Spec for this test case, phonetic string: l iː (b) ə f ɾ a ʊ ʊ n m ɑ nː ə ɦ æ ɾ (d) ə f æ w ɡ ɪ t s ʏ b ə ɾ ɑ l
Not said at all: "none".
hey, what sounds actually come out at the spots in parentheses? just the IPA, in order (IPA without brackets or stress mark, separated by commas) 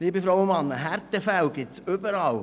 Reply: b, t